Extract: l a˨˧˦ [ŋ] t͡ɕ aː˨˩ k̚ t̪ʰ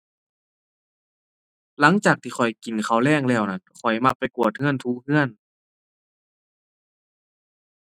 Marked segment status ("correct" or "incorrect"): correct